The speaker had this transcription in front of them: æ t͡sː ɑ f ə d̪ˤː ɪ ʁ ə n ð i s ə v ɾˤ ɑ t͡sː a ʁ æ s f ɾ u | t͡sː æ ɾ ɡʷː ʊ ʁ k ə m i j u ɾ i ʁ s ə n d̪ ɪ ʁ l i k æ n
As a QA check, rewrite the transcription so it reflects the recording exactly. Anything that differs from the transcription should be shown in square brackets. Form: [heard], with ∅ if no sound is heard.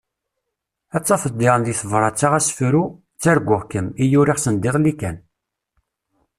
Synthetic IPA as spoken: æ t͡sː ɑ f ə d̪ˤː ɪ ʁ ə n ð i [θ] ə v ɾˤ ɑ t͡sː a ʁ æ s f ɾ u | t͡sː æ ɾ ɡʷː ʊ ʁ k ə m i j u ɾ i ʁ s ə n d̪ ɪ ʁ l i k æ n